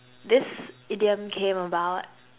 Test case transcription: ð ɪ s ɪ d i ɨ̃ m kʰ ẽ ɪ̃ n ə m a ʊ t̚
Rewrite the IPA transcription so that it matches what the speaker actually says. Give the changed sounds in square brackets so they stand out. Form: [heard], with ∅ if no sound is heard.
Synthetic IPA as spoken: ð ɪ s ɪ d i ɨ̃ m kʰ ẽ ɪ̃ [m] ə [b] a ʊ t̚